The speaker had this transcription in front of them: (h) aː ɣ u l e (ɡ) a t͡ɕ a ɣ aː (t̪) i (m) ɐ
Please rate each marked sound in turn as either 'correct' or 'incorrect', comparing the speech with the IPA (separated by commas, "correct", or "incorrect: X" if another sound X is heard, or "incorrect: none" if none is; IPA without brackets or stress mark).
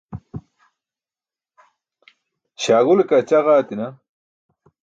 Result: incorrect: ɕ, incorrect: k, correct, incorrect: n